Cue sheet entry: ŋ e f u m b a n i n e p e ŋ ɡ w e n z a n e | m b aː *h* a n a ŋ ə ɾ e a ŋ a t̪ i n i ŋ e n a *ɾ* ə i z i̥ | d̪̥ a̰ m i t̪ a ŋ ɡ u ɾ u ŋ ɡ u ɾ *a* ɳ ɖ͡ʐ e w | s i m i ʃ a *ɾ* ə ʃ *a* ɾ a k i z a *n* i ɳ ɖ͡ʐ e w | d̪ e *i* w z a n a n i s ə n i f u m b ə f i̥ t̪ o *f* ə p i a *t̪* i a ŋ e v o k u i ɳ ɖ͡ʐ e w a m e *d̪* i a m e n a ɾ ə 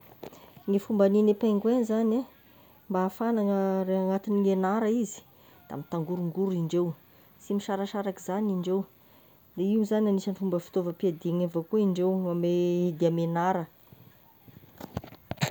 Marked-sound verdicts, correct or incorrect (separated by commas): incorrect, correct, incorrect, correct, correct, correct, correct, incorrect, incorrect, correct